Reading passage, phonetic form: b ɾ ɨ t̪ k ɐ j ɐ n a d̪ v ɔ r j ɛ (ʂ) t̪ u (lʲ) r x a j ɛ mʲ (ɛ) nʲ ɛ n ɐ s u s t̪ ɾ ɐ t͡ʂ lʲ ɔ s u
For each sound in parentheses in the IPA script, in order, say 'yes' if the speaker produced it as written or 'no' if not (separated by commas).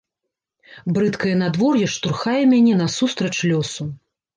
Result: yes, no, no